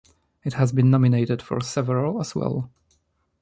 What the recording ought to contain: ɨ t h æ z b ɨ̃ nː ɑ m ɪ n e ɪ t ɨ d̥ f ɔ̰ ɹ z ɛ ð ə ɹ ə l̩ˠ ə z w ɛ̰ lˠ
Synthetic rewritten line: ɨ t h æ z b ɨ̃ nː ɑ m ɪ n e ɪ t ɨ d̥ f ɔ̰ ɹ s ɛ v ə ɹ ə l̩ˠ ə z w ɛ̰ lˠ